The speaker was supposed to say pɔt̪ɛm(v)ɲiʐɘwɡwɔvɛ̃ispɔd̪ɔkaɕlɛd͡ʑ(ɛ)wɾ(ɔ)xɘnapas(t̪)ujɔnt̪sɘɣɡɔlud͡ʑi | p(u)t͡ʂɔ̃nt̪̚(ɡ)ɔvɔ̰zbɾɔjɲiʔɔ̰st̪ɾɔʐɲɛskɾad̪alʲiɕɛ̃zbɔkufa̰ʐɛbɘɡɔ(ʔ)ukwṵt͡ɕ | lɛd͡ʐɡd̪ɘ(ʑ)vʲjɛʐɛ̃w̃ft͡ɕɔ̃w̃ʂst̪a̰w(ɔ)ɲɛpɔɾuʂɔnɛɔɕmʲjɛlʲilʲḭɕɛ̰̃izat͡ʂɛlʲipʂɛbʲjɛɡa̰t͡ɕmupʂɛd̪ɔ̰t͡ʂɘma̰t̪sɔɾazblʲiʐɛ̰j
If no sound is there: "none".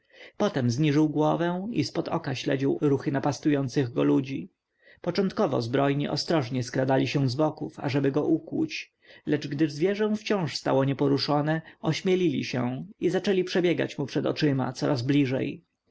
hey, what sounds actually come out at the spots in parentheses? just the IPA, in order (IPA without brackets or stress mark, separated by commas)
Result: z, i, u, t̪, ɔ, k, ʔ, z, ɔ